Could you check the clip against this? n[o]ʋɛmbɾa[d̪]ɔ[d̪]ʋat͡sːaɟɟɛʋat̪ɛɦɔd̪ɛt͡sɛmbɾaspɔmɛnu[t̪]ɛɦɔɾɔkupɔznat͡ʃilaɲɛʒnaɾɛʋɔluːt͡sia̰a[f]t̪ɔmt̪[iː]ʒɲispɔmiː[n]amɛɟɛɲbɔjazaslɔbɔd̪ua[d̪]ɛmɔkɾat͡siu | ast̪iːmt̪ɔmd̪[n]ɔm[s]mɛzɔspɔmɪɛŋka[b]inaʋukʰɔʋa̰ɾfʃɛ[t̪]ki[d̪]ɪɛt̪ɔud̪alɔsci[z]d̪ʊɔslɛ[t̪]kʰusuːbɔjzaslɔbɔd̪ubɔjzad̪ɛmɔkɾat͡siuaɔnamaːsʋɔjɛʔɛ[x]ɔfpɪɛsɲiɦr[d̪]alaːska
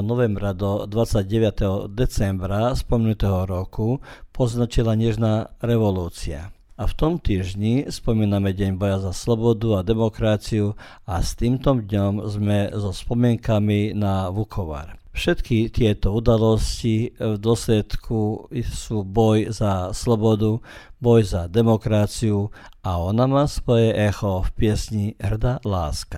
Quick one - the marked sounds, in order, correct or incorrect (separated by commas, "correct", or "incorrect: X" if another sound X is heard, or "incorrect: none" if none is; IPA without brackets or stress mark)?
incorrect: ɔ, correct, correct, correct, correct, correct, correct, correct, incorrect: ɲ, incorrect: z, incorrect: m, correct, incorrect: t̪, incorrect: v, correct, correct, correct